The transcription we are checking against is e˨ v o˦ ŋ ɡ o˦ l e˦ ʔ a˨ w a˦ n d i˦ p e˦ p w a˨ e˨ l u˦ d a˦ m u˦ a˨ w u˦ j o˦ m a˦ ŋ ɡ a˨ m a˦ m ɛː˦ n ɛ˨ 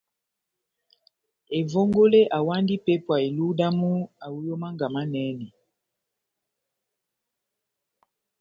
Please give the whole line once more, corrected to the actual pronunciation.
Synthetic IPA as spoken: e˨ v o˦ ŋ ɡ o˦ l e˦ ʔ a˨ w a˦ n d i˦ p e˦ p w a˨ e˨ l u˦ d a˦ m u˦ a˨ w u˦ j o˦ m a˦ ŋ ɡ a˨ m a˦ n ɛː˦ n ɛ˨